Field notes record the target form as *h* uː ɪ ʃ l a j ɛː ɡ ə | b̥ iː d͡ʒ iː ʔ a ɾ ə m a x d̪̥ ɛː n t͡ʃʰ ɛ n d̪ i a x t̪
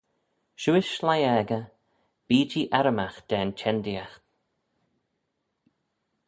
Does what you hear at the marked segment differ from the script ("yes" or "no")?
yes